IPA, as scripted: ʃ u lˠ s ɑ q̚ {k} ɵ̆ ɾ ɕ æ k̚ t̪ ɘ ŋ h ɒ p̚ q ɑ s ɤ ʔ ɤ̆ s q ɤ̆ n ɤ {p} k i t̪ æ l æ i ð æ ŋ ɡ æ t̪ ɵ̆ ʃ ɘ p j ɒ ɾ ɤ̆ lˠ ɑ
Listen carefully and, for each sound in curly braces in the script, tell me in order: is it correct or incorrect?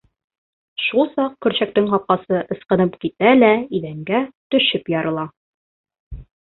correct, correct

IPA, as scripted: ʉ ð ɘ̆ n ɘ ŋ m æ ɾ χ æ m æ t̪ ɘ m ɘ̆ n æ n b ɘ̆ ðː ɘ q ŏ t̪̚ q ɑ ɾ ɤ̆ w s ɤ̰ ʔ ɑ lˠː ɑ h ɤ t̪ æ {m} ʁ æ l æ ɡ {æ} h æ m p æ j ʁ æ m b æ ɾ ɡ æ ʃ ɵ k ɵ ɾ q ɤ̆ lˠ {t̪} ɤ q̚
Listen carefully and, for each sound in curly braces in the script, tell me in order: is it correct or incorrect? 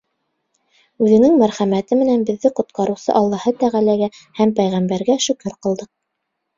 incorrect: none, correct, incorrect: d̪

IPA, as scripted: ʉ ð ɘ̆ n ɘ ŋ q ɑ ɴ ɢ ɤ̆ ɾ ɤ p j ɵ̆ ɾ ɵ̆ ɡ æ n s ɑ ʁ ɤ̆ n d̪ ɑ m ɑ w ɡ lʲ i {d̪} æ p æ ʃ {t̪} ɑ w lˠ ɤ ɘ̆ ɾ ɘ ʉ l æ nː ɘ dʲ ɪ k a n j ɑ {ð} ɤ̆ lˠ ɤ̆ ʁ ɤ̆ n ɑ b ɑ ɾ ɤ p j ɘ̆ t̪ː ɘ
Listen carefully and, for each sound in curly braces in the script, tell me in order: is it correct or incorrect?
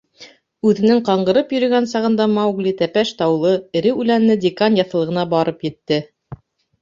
incorrect: t̪, correct, incorrect: θ

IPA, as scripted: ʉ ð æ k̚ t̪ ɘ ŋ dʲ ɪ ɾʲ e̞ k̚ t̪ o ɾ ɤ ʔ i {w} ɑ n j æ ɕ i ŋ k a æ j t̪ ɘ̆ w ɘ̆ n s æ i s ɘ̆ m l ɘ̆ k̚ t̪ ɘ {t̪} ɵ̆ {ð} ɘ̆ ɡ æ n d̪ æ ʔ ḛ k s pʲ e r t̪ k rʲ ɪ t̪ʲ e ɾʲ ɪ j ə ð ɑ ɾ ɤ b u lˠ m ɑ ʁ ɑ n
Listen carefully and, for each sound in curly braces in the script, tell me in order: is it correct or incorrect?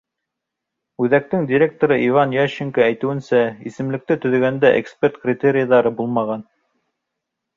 incorrect: v, correct, correct

